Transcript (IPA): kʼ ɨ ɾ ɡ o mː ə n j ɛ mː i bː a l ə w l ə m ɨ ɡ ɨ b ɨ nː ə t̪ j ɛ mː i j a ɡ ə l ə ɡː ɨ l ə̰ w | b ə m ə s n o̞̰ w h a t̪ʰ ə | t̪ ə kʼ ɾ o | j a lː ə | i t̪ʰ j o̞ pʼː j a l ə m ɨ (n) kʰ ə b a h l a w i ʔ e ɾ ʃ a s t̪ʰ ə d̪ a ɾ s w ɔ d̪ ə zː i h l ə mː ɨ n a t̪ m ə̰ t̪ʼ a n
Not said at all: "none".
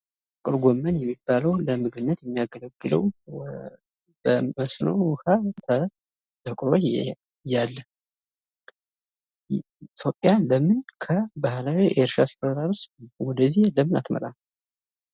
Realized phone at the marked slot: n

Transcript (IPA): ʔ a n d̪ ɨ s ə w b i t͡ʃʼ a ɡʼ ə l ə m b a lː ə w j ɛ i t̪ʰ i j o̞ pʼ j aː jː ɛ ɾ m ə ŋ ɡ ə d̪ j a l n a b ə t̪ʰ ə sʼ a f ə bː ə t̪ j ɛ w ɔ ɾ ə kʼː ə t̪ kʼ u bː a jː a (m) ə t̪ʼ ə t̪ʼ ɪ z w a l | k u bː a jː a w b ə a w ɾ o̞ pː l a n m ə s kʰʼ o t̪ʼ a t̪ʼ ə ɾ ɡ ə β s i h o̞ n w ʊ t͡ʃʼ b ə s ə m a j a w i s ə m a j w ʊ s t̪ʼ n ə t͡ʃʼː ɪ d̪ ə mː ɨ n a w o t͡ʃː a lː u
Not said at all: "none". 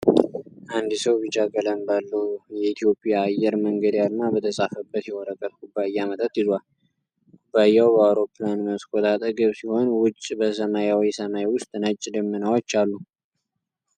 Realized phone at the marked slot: m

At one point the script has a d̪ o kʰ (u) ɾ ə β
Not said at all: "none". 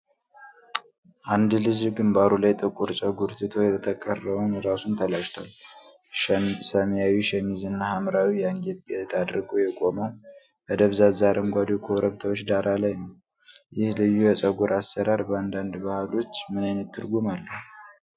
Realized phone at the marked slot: o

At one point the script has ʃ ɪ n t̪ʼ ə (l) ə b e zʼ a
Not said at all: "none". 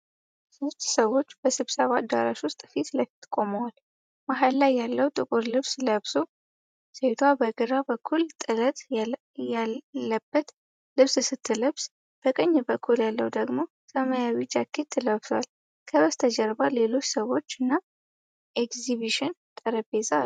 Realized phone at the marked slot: ɾ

